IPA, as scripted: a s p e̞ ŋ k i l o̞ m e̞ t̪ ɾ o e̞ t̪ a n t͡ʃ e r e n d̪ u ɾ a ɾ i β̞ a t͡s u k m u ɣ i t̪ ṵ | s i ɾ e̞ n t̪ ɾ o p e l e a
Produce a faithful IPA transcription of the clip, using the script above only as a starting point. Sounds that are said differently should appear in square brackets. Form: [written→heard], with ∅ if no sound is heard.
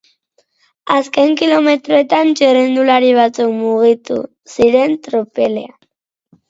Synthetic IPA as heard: a s [p→k] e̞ ŋ k i l o̞ m e̞ t̪ ɾ o e̞ t̪ a n t͡ʃ e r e n d̪ u [ɾ→l] a ɾ i β̞ a t͡s u k m u ɣ i t̪ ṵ | s i ɾ e̞ n t̪ ɾ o p e l e a